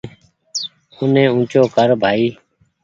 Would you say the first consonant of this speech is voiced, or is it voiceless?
voiced